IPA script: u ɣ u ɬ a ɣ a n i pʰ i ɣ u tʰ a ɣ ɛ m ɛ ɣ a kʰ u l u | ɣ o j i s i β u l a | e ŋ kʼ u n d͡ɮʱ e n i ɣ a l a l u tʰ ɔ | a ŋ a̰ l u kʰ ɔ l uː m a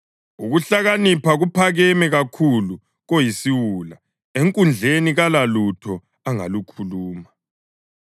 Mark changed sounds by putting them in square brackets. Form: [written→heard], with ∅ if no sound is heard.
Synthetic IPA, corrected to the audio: u ɣ u ɬ a ɣ a n i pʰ [i→a] ɣ u [tʰ→pʰ] a ɣ ɛ m ɛ ɣ a kʰ u l u | ɣ o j i s i [β→w] u l a | e ŋ kʼ u n d͡ɮʱ e n i ɣ a l a l u tʰ ɔ | a ŋ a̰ l u kʰ [ɔ→u] l uː m a